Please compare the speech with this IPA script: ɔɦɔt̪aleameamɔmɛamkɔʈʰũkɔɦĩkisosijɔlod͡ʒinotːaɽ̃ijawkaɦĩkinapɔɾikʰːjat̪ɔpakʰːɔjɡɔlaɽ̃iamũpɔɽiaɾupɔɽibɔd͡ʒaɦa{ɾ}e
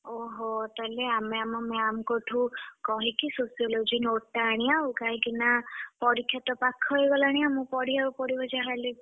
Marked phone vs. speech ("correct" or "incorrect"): incorrect